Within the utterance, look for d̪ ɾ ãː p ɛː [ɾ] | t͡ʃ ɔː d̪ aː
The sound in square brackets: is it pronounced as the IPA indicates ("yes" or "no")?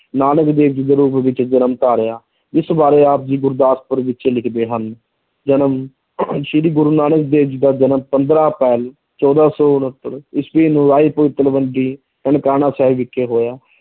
no